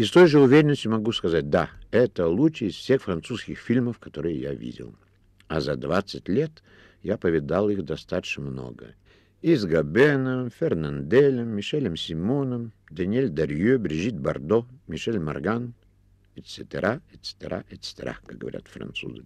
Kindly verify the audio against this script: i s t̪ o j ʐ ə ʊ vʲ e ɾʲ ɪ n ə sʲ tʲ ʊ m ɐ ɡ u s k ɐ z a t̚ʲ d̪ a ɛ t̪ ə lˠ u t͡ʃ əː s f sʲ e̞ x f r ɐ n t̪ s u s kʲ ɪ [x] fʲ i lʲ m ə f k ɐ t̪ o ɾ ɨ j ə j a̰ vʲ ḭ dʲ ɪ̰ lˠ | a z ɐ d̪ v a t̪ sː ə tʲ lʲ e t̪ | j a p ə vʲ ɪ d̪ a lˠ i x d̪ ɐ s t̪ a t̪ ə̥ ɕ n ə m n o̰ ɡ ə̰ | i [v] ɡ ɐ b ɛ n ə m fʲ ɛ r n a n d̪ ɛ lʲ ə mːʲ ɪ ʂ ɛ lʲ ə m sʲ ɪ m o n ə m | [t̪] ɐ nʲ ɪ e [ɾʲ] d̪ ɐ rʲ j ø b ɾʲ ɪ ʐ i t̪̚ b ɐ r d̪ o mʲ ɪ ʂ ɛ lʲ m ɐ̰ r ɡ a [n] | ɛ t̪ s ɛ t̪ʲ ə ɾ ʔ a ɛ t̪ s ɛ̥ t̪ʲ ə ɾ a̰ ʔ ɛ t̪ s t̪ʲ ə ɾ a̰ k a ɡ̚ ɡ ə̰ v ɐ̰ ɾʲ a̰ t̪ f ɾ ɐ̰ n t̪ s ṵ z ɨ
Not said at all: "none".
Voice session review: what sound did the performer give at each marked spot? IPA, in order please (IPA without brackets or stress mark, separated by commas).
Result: x, z, d̪, lʲ, n